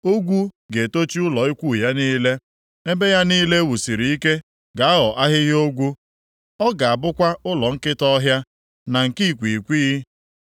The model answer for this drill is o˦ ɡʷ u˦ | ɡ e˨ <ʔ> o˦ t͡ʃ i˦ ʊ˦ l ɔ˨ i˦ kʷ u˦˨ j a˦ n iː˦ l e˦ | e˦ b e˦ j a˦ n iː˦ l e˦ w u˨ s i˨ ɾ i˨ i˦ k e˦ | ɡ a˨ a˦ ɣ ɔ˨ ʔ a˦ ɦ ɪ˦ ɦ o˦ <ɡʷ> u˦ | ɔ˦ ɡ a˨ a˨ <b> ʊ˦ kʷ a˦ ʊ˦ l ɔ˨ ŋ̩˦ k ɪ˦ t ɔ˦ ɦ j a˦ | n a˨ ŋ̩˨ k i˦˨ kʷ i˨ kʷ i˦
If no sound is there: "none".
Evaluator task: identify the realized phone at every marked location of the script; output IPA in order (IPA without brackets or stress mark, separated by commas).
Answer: t, ɡʷ, b